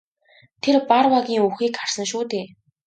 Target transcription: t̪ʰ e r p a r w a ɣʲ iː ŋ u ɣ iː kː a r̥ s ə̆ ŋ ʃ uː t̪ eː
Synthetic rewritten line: t̪ʰ e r p a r w a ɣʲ iː ŋ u x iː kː a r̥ s ə̆ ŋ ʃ uː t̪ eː

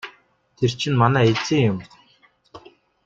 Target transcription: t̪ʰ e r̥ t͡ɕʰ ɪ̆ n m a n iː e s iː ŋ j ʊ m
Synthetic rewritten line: t̪ʰ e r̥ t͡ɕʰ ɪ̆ n m a n æː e t͡s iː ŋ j ʊ m

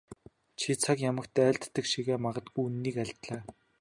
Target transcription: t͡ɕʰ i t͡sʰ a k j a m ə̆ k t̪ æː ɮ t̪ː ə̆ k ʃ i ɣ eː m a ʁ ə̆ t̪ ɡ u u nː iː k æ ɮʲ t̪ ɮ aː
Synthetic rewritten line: t͡ɕʰ i t͡sʰ a k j a m ə̆ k t̪ æː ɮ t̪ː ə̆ k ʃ i ɣ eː m a ʁ ə̆ t̪ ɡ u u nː iː k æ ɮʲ t̪ ɮ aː

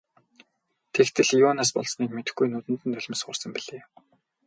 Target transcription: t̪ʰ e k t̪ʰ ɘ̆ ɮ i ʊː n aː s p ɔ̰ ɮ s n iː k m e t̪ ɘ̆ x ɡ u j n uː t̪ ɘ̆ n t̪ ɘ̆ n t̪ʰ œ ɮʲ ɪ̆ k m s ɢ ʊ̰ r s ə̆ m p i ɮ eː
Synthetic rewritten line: t̪ʰ e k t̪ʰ ɘ̆ ɮ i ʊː n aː s p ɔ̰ ɮ s n iː k m e t̪ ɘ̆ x ɡ u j n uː t̪ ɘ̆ n t̪ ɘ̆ n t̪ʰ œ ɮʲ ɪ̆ m s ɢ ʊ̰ r s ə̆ m p i ɮ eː

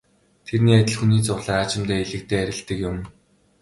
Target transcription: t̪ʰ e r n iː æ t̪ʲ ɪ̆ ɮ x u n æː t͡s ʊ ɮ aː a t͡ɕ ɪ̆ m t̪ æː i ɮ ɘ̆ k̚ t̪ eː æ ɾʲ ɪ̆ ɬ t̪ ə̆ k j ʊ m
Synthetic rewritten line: t̪ʰ e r n iː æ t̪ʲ ɪ̆ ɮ x u n iː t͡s ʊ ɮ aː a t͡ɕ ɪ̆ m t̪ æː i ɮ ɘ̆ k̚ t̪ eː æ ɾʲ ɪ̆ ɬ t̪ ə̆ k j ʊ m

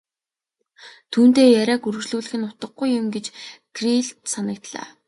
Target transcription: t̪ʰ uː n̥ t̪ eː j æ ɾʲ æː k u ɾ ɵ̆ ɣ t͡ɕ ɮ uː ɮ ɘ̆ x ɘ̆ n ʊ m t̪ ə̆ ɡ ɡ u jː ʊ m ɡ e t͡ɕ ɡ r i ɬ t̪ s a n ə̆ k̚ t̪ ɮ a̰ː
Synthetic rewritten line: t̪ʰ uː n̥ t̪ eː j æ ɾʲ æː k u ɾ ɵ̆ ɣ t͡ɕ ɮ uː ɮ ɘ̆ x ɘ̆ n ʊ t̪ ə̆ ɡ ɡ u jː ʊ m ɡ e t͡ɕ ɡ r i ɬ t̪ s a n ə̆ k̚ t̪ ɮ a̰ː

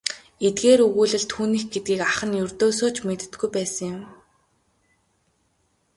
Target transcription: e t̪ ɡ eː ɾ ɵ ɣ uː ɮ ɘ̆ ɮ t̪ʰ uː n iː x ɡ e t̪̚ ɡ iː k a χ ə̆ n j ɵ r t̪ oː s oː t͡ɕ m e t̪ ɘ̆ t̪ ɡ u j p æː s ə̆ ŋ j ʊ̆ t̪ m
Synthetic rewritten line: e t̪ ɡ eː ɾ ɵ ɣ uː ɮ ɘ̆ ɮ t̪ʰ uː n iː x ɡ e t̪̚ ɡ iː k a χ ə̆ n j ɵ r t̪ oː s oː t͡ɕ m e t̪ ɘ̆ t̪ ɡ u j p æː s ə̆ ŋ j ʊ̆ m

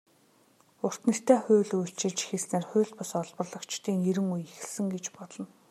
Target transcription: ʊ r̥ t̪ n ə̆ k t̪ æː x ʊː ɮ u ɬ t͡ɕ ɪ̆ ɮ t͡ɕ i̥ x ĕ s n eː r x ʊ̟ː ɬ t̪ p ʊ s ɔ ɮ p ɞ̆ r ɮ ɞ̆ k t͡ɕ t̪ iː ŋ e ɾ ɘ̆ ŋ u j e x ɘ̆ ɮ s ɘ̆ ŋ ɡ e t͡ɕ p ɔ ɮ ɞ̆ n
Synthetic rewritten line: ʊ r̥ t̪ n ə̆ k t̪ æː x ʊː ɮ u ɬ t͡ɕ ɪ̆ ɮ t͡ɕ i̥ x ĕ s n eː r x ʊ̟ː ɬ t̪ p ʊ s ɔ ɮ p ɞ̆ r ɮ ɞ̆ k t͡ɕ t̪ iː ŋ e ɾ ɘ̆ ŋ u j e x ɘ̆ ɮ s ɘ̆ ŋ ɡ e t͡ɕ p ɔ ɮ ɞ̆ n

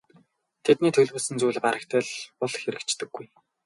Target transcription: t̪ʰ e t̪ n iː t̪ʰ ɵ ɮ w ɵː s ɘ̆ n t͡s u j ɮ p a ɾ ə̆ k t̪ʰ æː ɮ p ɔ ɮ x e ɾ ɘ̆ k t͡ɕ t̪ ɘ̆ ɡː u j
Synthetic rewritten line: t̪ʰ e t̪ n iː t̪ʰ ɵ ɮ w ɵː s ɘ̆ n t͡s u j ɮ p a ɾ ə̆ k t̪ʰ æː ɮ p ɔ ɮ x e ɾ ɘ̆ k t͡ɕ t̪ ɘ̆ ɡː u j

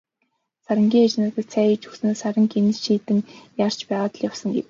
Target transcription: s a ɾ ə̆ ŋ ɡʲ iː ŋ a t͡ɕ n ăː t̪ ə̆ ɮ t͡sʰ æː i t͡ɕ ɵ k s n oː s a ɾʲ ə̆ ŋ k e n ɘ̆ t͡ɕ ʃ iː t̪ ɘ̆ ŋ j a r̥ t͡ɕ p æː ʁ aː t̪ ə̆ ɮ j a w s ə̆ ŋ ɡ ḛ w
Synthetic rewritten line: s a ɾ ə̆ ŋ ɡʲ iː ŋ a t͡ɕ n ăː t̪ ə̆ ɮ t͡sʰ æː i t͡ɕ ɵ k s n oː s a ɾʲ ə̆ ŋ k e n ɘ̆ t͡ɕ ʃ iː t̪ ɘ̆ ŋ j a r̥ t͡ɕ p æː ʁ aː t̪ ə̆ ɮ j a w s ə̆ ŋ ɡ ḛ w

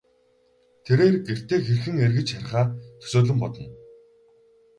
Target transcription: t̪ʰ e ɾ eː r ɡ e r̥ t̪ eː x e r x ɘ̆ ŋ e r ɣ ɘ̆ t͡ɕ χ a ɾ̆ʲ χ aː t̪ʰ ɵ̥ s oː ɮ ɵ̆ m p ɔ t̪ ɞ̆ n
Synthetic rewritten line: t̪ʰ e ɾ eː r ɡ e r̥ t̪ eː x e r x ɘ̆ ŋ e r ɣ ɘ̆ t͡ɕ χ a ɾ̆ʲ χ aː t̪ʰ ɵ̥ s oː ɮ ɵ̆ m p ɔ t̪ ɞ̆ n

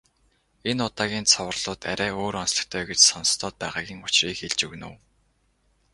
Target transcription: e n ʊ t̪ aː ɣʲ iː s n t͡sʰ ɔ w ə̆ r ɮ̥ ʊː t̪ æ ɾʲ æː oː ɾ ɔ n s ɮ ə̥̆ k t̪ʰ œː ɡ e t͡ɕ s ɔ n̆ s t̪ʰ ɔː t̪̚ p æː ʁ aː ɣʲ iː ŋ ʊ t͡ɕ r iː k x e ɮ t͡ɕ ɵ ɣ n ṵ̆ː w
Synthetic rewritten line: e n ʊ t̪ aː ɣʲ iː n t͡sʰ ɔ w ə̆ r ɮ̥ ʊː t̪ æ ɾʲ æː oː ɾ ɔ n s ɮ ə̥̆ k t̪ʰ œː ɡ e t͡ɕ s ɔ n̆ s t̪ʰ ɔː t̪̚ p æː ʁ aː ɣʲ iː ŋ ʊ t͡ɕ r iː k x e ɮ t͡ɕ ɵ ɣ n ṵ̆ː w

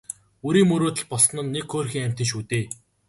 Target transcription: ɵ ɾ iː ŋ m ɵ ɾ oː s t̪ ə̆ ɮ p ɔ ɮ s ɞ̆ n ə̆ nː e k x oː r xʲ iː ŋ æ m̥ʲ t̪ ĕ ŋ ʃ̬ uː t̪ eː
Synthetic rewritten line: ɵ ɾ iː ŋ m ɵ ɾ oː t̪ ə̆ ɮ p ɔ ɮ s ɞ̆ n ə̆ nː e k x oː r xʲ iː ŋ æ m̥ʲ t̪ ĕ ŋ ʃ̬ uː t̪ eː

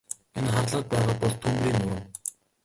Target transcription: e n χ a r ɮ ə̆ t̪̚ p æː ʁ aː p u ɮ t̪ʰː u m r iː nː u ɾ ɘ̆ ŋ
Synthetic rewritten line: e n χ a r ɮ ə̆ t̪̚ p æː ʁ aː p ɔ ɮ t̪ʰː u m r iː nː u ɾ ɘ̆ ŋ

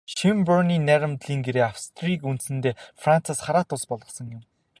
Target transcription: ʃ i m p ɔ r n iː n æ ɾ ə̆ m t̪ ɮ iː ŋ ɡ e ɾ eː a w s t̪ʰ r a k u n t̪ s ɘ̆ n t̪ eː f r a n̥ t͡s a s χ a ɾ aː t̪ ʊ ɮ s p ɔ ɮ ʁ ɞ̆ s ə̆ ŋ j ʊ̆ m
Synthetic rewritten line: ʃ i m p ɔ r n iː n æ ɾ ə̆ m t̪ ɮ iː ŋ ɡ e ɾ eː a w s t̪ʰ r i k u n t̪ s ɘ̆ n t̪ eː f r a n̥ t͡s a s χ a ɾ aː t̪ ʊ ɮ s p ɔ ɮ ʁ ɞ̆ s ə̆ ŋ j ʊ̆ m

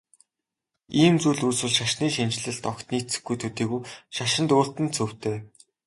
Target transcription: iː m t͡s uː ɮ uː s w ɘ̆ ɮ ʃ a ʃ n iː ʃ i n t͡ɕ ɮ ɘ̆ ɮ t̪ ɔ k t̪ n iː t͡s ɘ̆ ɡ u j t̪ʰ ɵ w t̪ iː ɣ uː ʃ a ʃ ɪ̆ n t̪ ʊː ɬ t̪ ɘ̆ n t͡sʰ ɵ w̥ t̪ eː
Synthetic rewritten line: iː m t͡s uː ɮ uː s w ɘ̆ ɮ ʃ a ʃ n iː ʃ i n t͡ɕ ɮ ɘ̆ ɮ t̪ ɔ k t̪ n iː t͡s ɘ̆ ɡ u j t̪ʰ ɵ t̪ iː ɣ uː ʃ a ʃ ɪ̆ n t̪ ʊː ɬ t̪ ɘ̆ n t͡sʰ ɵ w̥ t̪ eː

